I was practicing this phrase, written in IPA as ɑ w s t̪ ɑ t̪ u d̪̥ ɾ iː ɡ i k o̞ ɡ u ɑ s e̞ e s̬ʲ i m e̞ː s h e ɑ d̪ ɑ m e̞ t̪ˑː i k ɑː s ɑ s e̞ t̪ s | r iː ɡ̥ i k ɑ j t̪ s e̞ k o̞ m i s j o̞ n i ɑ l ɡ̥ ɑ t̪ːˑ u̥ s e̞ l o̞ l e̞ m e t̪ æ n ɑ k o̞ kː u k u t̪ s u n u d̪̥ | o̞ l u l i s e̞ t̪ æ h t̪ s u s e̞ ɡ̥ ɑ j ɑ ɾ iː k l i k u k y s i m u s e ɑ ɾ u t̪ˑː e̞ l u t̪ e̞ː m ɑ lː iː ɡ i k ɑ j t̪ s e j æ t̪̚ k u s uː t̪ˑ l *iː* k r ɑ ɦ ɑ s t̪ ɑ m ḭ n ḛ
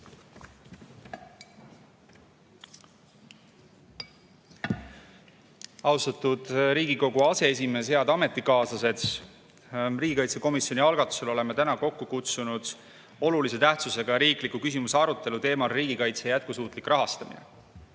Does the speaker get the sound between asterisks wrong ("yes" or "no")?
yes